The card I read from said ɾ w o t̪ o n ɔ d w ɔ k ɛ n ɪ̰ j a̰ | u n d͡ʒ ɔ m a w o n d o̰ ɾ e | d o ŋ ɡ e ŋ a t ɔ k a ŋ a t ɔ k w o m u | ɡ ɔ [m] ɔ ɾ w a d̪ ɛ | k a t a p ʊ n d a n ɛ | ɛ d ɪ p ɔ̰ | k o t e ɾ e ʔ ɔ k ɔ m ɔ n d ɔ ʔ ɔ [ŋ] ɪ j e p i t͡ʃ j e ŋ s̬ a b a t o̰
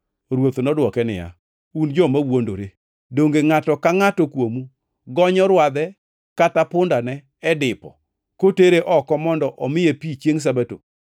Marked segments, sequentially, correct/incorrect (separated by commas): incorrect, incorrect